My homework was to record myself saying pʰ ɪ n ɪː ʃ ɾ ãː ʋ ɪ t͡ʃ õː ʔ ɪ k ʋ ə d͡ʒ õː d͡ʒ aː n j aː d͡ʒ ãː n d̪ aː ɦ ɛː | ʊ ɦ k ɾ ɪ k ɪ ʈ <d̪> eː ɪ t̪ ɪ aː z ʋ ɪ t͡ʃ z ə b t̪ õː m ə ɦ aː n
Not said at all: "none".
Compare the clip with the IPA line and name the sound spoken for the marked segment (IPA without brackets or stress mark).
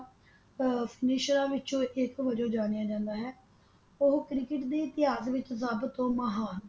d̪